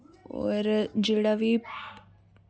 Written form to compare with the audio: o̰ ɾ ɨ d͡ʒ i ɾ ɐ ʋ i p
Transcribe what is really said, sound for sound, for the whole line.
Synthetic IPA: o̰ ɾ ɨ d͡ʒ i ɽ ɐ ʋ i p

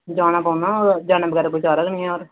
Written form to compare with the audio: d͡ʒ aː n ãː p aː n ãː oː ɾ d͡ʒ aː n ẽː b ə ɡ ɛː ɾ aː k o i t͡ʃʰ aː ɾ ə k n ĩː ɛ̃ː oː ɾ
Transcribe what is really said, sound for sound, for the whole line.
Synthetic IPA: d͡ʒ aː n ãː p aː n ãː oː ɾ d͡ʒ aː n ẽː b ə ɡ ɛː ɾ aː k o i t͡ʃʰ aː ɾ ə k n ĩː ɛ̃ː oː ɾ

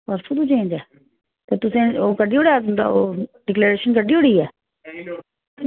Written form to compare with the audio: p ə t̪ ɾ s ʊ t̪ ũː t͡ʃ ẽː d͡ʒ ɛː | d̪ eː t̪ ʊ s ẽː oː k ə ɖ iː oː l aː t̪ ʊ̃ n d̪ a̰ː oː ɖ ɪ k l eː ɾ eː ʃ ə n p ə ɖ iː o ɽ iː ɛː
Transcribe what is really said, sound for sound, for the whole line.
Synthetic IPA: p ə ɾ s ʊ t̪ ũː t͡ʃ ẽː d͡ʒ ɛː | t̪ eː t̪ ʊ s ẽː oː k ə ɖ iː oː ɽ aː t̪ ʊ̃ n d̪ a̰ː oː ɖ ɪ k l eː ɾ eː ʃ ə n k ə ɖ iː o ɽ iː ɛː

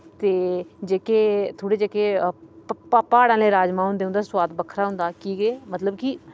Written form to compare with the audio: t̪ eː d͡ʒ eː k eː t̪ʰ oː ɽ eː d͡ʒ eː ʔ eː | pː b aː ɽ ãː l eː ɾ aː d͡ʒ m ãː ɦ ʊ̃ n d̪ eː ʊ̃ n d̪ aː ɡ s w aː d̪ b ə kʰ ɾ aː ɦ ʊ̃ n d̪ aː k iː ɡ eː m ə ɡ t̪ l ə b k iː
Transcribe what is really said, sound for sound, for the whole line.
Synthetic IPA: t̪ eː d͡ʒ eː k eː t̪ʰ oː ɽ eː d͡ʒ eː k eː | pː p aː ɽ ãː l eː ɾ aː d͡ʒ m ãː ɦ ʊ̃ n d̪ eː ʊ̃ n d̪ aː s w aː d̪ b ə kʰ ɾ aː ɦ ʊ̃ n d̪ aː k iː ɡ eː m ə t̪ l ə b k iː

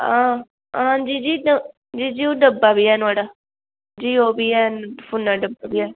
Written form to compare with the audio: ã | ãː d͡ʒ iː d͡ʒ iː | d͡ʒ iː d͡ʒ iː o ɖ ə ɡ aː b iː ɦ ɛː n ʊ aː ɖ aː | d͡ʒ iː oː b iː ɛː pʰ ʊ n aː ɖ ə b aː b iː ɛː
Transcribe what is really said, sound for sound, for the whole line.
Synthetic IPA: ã | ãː d͡ʒ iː d͡ʒ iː | d͡ʒ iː d͡ʒ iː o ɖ ə b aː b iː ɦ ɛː n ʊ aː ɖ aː | d͡ʒ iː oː b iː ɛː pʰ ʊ n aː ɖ ə b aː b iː ɛː

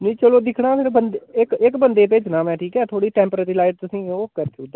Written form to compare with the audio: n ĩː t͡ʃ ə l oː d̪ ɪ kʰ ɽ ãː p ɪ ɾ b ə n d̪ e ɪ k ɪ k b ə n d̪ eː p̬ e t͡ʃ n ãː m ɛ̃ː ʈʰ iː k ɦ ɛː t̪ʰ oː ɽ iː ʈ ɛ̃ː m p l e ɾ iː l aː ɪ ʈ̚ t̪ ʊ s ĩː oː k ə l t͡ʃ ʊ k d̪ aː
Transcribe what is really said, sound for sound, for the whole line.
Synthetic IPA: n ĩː t͡ʃ ə l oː d̪ ɪ kʰ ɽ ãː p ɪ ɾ b ə n d̪ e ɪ k ɪ k b ə n d̪ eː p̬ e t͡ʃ n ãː m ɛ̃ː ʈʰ iː k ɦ ɛː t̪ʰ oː ɽ iː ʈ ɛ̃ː m p ɾ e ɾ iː l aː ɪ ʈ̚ t̪ ʊ s ĩː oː k ə ɾ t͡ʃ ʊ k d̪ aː

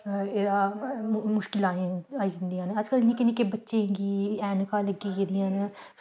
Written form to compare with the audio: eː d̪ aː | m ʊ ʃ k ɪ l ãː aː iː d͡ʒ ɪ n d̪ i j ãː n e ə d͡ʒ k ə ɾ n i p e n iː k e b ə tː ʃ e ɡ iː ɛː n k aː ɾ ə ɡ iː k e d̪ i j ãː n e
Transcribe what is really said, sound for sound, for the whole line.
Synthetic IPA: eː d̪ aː | m ʊ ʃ k ɪ l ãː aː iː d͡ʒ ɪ n d̪ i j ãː n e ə d͡ʒ k ə l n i k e n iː k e b ə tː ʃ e ɡ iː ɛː n k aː l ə ɡ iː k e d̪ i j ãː n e

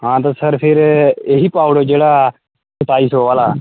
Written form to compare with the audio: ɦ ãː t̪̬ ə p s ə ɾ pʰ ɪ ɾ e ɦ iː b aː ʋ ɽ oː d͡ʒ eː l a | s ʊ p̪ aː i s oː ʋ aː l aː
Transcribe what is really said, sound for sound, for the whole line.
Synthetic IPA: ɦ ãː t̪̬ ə s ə ɾ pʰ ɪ ɾ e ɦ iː p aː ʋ ɽ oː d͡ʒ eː ɽ a | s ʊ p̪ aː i s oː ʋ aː l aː

